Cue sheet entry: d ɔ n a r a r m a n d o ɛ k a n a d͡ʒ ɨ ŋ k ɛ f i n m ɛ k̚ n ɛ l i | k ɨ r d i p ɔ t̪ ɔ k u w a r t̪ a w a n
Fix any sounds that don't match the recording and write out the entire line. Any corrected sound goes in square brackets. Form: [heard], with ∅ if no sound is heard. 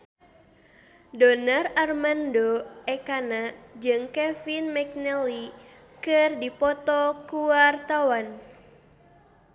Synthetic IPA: d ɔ n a r a r m a n d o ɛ k a n a d͡ʒ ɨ ŋ k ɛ f i n m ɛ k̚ n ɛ l i | k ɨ r d i p ɔ t̪ ɔ k u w a r t̪ a w a n